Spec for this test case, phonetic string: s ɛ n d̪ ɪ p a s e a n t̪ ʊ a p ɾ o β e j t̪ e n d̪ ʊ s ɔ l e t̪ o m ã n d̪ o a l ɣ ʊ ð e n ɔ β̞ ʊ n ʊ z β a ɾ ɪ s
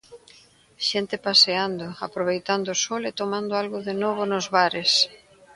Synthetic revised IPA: ʃ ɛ n t̪ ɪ p a s e a n d̪ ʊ a p ɾ o β e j t̪ a n d̪ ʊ s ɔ l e t̪ o m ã n d̪ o a l ɣ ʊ ð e n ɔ β̞ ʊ n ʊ z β a ɾ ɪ s